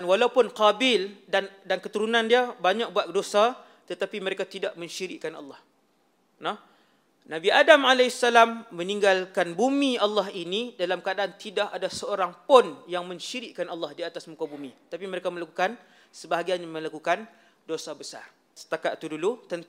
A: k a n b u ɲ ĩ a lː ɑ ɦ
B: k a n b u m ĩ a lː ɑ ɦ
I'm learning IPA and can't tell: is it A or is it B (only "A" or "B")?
B